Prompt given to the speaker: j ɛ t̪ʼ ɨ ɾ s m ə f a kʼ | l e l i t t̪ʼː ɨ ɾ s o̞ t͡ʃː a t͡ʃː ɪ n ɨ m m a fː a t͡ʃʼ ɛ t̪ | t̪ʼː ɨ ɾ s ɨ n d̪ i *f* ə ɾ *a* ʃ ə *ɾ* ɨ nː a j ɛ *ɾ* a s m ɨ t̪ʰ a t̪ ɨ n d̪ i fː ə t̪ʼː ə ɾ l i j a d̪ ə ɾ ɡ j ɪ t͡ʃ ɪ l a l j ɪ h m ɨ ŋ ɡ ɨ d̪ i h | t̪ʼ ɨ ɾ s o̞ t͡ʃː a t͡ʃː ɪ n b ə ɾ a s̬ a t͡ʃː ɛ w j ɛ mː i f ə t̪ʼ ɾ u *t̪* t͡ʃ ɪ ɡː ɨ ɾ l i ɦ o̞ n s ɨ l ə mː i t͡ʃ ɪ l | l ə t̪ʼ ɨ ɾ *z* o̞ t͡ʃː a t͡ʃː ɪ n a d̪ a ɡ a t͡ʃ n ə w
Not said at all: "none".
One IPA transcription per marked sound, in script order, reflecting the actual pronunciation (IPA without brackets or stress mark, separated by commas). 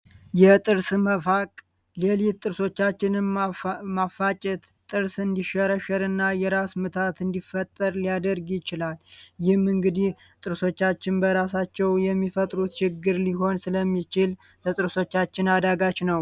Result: ʃ, ə, ɾ, ɾ, t̪, s